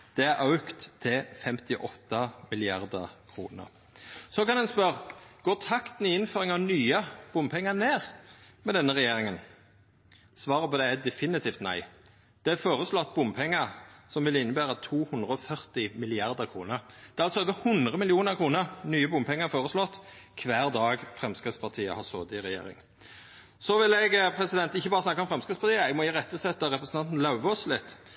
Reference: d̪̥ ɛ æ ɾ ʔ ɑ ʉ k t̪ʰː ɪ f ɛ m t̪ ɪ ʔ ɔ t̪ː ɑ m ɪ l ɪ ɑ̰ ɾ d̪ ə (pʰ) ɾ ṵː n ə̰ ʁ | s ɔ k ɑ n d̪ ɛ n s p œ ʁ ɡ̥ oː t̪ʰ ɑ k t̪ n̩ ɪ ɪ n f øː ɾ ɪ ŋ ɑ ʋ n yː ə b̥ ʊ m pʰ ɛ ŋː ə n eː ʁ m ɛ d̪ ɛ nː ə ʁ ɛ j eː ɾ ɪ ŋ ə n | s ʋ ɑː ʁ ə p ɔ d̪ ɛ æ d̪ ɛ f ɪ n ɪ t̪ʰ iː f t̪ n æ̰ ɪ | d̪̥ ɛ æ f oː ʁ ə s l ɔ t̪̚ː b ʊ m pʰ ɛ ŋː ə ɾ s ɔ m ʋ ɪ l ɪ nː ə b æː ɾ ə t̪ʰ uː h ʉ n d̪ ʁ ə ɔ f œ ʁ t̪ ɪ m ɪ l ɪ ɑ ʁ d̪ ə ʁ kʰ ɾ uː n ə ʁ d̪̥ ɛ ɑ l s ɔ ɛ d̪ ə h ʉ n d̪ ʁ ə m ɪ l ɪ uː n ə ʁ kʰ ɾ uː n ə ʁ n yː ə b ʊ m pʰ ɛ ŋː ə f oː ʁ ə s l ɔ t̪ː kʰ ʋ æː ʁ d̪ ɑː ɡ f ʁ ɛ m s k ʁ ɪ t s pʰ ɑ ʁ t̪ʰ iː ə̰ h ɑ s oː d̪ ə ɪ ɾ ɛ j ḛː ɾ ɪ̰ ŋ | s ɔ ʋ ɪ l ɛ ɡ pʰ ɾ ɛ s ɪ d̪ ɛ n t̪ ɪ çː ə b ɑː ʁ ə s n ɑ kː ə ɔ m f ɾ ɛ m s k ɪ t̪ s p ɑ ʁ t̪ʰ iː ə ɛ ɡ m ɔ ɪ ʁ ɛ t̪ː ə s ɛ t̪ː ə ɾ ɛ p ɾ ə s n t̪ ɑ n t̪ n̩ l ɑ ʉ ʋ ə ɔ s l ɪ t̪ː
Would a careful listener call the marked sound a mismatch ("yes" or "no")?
yes